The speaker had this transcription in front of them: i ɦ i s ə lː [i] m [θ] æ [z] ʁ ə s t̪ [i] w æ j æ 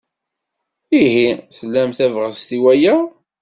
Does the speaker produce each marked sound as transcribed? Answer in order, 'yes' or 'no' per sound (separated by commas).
no, yes, no, yes